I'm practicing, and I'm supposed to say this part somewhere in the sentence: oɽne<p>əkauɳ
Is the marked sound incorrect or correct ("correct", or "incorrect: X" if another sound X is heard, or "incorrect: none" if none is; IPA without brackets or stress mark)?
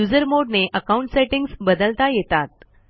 incorrect: ʔ